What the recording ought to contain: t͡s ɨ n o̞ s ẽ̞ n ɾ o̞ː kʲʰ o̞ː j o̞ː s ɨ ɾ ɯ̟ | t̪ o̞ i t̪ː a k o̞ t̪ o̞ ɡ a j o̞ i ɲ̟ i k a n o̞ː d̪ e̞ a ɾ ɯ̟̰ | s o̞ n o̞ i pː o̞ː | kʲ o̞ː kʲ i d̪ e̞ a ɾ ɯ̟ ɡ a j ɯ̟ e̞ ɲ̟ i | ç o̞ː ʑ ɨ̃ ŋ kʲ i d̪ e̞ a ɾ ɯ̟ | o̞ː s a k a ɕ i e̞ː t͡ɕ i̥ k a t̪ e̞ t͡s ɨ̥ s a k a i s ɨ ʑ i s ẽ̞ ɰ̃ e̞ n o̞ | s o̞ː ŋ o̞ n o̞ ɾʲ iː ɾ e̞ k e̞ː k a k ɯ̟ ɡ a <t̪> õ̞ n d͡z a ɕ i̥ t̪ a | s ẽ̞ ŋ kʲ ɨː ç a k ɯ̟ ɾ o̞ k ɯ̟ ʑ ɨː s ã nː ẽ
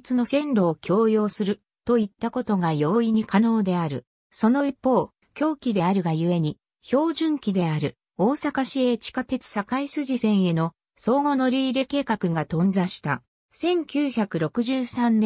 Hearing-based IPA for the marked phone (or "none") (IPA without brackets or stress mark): t̪